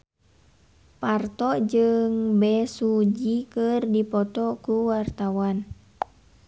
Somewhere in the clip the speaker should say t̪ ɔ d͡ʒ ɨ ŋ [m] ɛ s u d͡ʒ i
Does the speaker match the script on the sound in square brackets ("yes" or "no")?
no